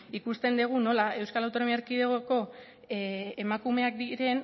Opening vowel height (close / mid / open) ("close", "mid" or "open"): close